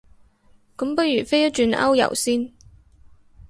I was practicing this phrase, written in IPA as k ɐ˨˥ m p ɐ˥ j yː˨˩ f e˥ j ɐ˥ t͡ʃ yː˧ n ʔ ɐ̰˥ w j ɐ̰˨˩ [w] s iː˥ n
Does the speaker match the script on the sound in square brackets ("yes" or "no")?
yes